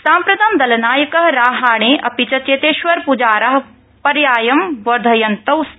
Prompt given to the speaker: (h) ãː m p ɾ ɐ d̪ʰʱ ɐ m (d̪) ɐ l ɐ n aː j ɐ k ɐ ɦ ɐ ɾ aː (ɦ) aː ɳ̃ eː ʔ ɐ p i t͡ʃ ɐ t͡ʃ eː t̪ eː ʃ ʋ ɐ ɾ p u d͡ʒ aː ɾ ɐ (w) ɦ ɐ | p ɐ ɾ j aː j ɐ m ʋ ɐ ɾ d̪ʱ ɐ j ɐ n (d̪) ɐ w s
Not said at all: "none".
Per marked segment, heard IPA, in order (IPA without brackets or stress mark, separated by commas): s, d̪, ɦ, none, t̪